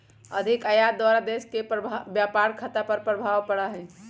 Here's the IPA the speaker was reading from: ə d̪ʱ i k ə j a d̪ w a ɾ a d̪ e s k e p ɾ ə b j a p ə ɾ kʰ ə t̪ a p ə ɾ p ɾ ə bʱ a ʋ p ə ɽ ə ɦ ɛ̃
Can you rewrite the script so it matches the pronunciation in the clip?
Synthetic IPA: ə d̪ʱ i k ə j a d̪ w a ɾ a d̪ e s k e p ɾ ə b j a p a ɾ kʰ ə t̪ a p ə ɾ p ɾ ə bʱ a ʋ p ə ɽ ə ɦ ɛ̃